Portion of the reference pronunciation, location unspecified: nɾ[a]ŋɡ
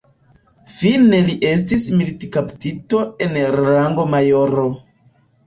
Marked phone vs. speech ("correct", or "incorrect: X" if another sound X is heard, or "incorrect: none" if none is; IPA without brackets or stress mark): correct